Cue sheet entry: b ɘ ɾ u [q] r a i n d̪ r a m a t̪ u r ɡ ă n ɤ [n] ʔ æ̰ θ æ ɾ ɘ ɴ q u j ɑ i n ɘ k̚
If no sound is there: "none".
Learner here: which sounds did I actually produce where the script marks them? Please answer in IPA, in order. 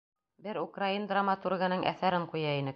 k, ŋ

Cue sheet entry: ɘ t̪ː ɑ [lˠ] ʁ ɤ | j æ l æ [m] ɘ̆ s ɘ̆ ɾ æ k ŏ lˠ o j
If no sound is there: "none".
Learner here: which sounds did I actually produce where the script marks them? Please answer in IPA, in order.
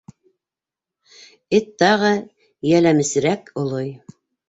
none, m

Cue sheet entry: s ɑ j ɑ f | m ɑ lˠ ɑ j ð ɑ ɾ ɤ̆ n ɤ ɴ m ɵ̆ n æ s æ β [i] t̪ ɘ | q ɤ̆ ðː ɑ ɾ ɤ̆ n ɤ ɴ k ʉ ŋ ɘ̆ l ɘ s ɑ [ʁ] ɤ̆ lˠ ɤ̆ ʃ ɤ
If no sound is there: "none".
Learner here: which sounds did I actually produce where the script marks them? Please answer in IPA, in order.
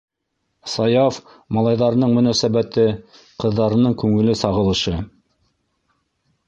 æ, ʁ

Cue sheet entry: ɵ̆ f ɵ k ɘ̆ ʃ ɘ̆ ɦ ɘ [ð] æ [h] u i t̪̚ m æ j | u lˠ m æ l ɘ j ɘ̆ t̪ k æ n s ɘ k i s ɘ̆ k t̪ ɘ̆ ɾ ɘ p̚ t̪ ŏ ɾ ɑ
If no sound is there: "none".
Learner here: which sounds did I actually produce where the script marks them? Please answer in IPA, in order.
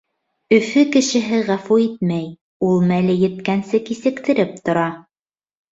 ʁ, f

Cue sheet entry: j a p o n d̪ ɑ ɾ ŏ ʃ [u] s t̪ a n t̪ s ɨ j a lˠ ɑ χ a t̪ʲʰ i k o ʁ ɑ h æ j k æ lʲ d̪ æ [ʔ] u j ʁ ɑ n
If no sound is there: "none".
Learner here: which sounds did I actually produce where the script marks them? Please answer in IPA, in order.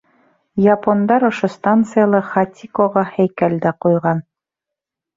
o, q

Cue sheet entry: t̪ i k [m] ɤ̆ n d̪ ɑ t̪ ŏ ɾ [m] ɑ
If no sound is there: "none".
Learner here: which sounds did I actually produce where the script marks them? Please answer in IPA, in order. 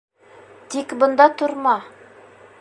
b, m

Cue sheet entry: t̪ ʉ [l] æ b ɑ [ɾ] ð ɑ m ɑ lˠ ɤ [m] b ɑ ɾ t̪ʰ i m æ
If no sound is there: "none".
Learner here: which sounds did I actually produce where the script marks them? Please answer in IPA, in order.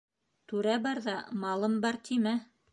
ɾ, ɾ, m

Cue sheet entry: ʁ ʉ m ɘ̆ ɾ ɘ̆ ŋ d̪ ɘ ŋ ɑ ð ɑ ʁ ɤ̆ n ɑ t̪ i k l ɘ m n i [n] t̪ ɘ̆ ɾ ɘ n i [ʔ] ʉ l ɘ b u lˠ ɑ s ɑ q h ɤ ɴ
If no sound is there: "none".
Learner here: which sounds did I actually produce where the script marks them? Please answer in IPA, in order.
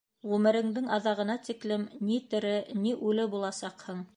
none, ʔ

